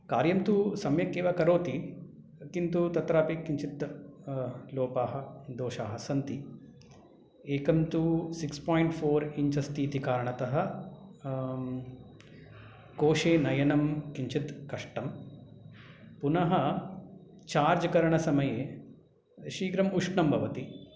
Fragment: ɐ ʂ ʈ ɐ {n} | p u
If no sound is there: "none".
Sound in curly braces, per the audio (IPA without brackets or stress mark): m